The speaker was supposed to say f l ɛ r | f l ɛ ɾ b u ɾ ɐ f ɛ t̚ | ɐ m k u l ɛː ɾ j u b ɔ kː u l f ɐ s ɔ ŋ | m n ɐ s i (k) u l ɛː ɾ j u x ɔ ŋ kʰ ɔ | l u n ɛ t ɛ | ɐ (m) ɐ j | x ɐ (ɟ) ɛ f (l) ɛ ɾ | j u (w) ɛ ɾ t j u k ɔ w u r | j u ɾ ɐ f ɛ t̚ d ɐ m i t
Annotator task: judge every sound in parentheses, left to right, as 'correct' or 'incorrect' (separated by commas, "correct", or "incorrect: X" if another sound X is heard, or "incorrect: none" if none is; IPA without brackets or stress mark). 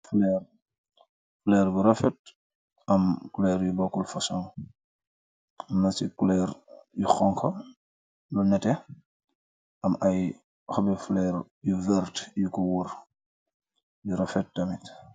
correct, correct, incorrect: b, correct, incorrect: v